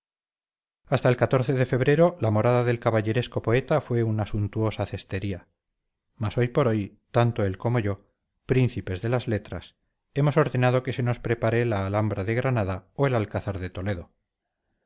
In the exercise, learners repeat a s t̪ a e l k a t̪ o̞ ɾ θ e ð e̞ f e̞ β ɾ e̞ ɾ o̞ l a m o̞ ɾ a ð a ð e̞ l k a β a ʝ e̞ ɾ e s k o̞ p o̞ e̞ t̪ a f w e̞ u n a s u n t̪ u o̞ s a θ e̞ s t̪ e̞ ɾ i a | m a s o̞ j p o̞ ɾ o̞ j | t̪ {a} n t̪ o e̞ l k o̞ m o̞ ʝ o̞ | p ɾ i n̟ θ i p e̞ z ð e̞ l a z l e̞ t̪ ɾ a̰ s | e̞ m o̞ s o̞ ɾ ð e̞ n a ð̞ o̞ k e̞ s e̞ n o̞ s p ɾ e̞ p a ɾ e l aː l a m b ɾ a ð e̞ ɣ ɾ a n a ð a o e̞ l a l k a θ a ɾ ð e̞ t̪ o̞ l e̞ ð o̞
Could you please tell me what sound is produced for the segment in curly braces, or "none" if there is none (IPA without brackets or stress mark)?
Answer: a